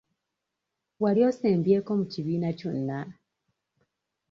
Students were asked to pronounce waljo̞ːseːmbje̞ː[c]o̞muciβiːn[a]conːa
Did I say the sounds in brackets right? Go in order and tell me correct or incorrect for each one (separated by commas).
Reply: incorrect, correct